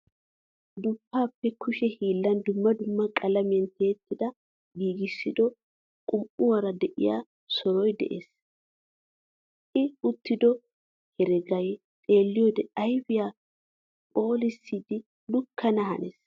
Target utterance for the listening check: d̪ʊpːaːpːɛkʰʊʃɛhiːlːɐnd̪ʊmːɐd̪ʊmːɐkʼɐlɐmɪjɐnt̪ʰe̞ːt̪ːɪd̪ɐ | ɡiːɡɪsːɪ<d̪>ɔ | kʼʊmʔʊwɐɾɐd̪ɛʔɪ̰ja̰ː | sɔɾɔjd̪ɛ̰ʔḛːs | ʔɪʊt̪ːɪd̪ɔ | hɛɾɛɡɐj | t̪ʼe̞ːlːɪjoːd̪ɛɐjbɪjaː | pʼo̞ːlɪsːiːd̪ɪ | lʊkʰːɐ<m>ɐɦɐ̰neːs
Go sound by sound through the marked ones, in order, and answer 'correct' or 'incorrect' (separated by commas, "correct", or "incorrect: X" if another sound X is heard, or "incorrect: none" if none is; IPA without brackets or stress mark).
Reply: correct, incorrect: n